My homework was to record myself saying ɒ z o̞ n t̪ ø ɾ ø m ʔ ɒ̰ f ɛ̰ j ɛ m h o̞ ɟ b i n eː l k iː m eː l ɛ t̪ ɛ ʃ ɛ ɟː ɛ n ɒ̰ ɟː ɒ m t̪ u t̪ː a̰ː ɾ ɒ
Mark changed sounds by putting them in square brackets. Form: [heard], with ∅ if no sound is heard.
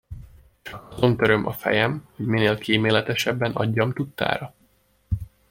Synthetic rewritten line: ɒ z o̞ n t̪ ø ɾ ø m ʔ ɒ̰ f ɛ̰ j ɛ m h o̞ ɟ [m] i n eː l k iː m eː l ɛ t̪ ɛ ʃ ɛ [bː] ɛ n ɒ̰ ɟː ɒ m t̪ u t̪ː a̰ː ɾ ɒ